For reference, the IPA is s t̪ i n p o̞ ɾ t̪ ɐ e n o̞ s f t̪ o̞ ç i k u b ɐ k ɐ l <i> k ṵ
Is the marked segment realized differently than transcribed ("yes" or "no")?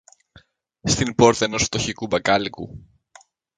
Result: no